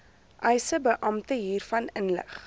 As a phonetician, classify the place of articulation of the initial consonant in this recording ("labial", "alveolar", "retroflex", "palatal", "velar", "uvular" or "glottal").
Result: glottal